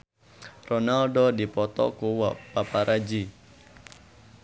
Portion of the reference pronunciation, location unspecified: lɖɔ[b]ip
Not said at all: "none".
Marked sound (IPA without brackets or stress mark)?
d